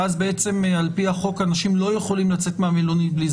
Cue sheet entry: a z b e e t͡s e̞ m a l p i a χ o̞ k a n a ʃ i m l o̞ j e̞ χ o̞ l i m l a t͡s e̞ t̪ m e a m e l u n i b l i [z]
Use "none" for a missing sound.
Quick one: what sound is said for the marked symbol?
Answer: z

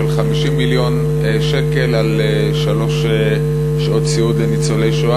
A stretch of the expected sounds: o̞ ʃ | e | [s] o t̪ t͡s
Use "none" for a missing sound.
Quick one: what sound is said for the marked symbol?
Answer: ʃ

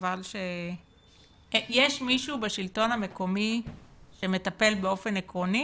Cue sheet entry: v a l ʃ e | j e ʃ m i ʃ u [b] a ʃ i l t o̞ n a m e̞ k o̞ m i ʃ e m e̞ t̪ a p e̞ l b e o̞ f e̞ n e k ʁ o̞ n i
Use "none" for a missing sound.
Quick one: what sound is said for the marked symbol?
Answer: b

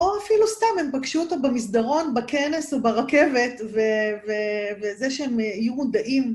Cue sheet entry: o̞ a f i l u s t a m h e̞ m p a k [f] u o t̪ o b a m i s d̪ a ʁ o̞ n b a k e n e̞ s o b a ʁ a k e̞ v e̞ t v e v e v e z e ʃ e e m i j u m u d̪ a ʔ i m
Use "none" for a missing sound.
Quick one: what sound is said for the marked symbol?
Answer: ʃ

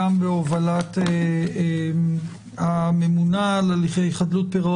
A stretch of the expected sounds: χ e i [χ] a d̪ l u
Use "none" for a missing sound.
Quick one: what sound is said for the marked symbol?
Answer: χ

